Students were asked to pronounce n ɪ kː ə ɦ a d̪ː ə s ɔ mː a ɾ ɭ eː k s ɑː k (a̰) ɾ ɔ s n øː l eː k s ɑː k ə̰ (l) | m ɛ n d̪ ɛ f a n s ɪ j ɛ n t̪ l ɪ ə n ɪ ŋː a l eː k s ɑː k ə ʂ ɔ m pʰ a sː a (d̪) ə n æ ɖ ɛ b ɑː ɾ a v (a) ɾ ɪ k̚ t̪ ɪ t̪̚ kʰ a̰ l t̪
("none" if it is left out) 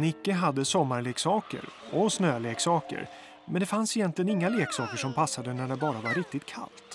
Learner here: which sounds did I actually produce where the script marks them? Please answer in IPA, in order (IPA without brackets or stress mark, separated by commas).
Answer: ə̰, ɾ, d̪, a